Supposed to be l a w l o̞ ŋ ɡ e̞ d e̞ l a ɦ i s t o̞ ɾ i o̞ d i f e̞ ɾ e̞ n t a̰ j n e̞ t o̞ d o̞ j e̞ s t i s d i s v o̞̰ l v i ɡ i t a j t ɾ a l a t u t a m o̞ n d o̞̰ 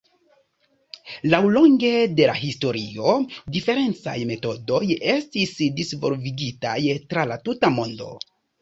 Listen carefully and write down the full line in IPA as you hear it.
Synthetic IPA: l a w l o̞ ŋ ɡ e̞ d e̞ l a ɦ i s t o̞ ɾ i o̞ d i f e̞ ɾ e̞ n t͡s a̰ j m e̞ t o̞ d o̞ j e̞ s t i s d i s v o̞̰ l v i ɡ i t a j t ɾ a l a t u t a m o̞ n d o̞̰